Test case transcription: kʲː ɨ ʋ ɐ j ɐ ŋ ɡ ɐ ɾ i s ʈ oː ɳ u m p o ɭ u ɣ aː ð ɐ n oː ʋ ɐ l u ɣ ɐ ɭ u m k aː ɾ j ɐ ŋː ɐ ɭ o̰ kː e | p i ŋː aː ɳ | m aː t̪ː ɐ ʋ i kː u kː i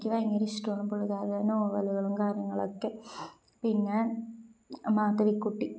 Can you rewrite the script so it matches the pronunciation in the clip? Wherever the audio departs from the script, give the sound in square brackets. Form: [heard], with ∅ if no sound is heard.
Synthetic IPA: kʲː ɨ ʋ ɐ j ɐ ŋ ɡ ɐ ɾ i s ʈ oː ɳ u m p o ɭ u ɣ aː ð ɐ n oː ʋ ɐ l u ɣ ɐ ɭ u m k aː ɾ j ɐ ŋː ɐ ɭ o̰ kː e | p i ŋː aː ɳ | m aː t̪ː ɐ ʋ i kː u [ʈː] i